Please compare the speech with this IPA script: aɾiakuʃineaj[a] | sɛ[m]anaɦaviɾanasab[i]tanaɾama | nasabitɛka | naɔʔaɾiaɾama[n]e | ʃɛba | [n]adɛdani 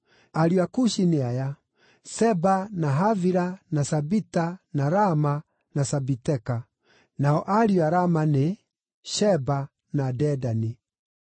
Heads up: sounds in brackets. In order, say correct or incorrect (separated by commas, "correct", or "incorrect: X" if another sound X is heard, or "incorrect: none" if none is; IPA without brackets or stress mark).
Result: correct, incorrect: b, correct, correct, correct